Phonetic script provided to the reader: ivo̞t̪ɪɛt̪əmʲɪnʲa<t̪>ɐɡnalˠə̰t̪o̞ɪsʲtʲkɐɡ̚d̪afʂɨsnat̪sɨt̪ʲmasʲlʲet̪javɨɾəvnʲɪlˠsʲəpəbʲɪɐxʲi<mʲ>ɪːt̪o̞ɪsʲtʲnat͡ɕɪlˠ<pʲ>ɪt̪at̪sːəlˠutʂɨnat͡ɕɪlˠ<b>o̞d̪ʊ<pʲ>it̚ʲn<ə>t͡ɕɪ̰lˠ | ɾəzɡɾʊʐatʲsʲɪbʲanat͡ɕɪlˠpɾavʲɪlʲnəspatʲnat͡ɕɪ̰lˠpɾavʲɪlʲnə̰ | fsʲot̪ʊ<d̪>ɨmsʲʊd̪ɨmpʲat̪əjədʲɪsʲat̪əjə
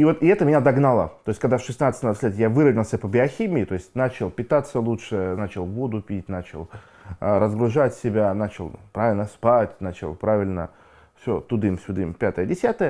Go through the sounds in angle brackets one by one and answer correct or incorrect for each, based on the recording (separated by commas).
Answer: incorrect, correct, correct, incorrect, correct, incorrect, correct